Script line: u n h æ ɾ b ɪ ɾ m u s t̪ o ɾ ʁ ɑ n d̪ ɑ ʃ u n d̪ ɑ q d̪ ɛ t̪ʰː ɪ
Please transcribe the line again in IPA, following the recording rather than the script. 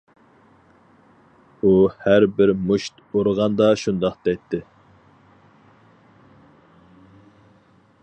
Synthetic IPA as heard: u h æ ɾ b ɪ ɾ m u ʃ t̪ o ɾ ʁ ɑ n d̪ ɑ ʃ u n d̪ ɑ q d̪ ɛ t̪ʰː ɪ